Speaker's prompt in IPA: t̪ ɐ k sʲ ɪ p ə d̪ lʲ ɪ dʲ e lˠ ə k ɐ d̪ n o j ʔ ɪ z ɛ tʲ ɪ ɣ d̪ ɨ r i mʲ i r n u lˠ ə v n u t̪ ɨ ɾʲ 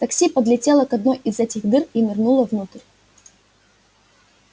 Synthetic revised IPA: t̪ ɐ k sʲ i p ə d̪ lʲ ɪ tʲ e lˠ ə k ɐ d̪ n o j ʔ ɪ z ɛ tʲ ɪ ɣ d̪ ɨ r i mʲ ɪ r n u lˠ ə v n u t̪ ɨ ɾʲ